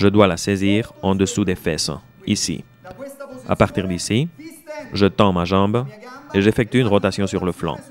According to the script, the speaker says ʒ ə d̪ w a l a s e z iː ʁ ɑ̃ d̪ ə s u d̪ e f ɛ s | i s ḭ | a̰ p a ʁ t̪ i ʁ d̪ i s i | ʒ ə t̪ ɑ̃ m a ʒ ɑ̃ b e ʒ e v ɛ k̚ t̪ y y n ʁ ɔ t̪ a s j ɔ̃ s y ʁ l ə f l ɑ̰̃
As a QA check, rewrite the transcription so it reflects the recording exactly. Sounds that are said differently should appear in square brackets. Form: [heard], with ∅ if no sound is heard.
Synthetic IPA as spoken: ʒ ə d̪ w a l a s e z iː ʁ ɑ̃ d̪ ə s u d̪ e f ɛ s | i s ḭ | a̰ p a ʁ t̪ i ʁ d̪ i s i | ʒ ə t̪ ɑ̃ m a ʒ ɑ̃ b e ʒ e [f] ɛ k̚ t̪ y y n ʁ ɔ t̪ a s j ɔ̃ s y ʁ l ə f l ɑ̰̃